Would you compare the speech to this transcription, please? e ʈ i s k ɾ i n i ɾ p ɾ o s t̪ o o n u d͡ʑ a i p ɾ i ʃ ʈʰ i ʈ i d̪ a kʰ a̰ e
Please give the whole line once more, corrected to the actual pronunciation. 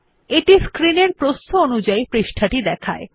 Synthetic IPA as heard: e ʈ i s k ɾ i n e ɾ p ɾ o s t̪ o o n u d͡ʑ a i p ɾ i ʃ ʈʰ a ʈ i d̪ ɛ kʰ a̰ e